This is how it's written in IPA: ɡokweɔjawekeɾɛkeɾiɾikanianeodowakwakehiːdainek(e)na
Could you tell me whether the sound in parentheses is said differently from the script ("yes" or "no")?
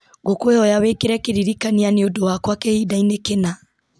no